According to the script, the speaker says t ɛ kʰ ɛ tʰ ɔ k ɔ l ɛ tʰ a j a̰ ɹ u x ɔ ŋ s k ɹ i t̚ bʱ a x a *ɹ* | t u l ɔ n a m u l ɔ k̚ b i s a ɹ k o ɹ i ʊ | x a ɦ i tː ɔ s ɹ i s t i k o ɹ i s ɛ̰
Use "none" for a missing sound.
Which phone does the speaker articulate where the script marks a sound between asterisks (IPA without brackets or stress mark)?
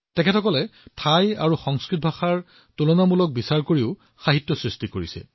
ɹ